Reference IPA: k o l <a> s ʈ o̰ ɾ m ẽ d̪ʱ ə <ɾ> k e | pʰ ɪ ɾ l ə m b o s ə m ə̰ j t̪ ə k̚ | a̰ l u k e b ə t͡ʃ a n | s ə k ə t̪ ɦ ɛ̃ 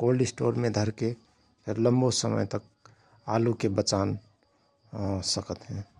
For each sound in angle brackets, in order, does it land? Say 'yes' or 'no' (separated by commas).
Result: no, yes